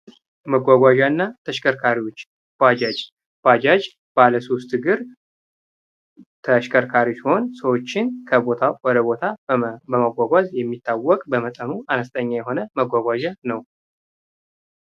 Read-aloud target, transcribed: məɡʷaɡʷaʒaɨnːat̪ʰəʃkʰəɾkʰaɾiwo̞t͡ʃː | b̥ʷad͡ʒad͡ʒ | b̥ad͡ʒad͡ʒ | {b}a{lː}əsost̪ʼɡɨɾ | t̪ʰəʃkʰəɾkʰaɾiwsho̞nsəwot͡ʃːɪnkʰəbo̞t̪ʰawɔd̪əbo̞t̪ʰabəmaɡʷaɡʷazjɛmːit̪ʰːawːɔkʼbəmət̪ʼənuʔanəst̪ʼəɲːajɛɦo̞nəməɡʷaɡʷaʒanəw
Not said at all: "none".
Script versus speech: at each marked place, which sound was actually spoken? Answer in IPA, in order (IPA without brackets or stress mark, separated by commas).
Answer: b, l